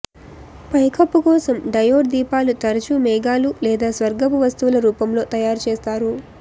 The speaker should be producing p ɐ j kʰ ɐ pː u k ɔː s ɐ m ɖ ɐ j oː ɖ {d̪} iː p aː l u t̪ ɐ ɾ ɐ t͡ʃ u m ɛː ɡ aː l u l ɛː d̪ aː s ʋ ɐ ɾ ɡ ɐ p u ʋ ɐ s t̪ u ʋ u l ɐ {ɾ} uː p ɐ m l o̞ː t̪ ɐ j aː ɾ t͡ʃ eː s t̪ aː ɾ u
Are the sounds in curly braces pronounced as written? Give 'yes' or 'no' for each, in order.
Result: yes, yes

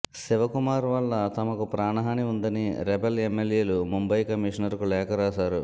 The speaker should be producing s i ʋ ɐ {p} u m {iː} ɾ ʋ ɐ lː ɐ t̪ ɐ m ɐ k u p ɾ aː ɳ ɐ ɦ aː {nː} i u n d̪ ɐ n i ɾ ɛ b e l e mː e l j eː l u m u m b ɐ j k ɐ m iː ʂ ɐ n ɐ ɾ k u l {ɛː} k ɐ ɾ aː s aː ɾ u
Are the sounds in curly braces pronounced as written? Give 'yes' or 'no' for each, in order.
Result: no, no, no, yes

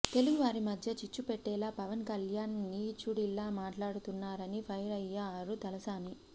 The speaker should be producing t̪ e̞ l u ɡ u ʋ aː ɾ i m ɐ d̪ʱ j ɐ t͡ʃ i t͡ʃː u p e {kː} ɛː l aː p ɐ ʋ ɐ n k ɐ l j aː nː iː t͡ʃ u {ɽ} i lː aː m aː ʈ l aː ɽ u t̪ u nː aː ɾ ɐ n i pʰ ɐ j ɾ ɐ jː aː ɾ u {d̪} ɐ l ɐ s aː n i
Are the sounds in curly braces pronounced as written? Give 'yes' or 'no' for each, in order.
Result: no, yes, no

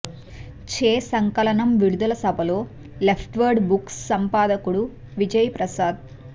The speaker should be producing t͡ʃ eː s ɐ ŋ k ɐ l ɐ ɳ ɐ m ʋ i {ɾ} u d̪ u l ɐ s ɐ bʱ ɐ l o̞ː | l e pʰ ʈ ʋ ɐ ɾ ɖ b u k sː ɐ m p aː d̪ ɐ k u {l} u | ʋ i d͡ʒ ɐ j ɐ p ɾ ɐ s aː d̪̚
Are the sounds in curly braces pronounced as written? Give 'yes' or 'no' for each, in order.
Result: no, no

